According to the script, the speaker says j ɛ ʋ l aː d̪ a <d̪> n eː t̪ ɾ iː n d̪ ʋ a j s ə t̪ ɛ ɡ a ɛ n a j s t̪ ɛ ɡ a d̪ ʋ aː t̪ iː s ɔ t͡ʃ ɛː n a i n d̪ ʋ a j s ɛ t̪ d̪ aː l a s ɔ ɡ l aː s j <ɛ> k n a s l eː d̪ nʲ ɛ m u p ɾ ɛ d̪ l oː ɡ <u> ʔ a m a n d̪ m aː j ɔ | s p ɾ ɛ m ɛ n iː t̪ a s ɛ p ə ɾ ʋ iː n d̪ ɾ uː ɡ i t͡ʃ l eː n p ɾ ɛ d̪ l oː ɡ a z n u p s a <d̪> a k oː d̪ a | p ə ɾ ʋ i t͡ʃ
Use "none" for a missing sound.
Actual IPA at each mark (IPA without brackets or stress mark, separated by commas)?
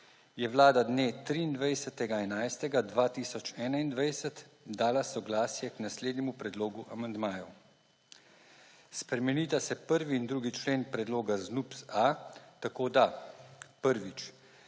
d̪, ɛ, u, t̪